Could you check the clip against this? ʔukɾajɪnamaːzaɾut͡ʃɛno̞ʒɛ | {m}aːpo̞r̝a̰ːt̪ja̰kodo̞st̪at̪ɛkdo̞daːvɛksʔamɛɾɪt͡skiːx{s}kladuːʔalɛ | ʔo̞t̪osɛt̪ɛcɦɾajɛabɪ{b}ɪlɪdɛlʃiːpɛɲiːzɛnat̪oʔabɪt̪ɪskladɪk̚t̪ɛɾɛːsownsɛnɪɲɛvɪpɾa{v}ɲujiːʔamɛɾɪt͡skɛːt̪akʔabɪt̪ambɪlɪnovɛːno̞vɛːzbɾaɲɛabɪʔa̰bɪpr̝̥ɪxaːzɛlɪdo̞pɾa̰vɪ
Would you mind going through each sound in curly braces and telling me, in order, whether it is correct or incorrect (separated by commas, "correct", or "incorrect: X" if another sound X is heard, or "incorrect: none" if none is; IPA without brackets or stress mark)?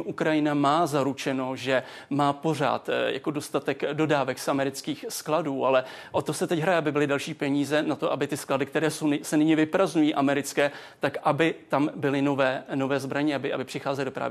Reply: correct, correct, correct, incorrect: z